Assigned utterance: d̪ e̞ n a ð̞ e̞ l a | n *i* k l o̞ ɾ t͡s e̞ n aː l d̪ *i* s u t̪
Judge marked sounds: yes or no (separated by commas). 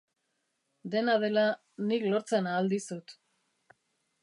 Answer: yes, yes